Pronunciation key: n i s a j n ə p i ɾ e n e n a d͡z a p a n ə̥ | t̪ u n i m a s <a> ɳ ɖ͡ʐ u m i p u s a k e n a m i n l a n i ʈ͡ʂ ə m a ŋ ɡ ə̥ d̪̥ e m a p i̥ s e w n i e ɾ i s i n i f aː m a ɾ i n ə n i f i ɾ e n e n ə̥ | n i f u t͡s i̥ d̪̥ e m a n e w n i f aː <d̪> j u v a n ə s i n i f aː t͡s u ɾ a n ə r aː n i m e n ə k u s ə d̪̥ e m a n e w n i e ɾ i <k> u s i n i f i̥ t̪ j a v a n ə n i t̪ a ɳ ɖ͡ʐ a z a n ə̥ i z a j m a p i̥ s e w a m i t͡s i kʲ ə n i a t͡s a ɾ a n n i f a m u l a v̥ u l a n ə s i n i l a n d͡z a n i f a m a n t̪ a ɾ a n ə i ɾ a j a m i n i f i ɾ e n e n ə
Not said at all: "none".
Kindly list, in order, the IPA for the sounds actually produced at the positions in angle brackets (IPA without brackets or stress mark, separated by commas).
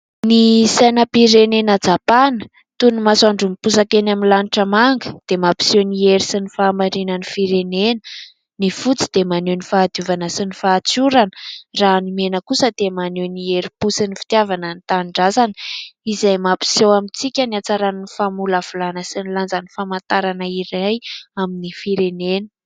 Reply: a, d̪, p